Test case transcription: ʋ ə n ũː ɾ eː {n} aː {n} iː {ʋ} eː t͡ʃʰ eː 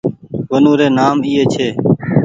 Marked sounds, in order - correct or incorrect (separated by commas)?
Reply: correct, incorrect, incorrect